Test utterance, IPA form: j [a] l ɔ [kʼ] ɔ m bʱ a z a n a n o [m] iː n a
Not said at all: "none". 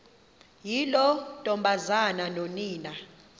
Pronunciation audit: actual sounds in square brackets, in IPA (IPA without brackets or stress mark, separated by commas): i, tʼ, n